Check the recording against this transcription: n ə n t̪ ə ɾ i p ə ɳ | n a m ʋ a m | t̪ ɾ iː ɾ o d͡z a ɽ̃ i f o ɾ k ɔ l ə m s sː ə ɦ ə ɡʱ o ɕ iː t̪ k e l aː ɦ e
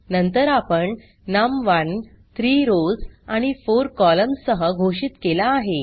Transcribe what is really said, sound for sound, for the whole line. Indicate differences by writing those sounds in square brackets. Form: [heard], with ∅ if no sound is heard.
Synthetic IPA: n ə n t̪ ə ɾ [a] p ə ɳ | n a m ʋ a [n] | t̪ ɾ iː ɾ o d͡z a ɽ̃ i f o ɾ k ɔ l ə m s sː ə ɦ ə ɡʱ o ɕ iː t̪ k e l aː ɦ e